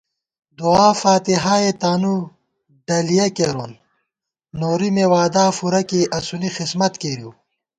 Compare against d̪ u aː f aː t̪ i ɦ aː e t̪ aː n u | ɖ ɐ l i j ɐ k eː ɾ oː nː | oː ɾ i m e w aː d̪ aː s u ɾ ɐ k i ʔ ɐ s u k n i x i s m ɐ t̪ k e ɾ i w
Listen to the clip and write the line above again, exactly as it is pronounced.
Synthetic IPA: d̪ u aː f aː t̪ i ɦ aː e t̪ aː n u | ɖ ɐ l i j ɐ k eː ɾ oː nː | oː ɾ i m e w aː d̪ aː f u ɾ ɐ k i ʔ ɐ s u n i x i s m ɐ t̪ k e ɾ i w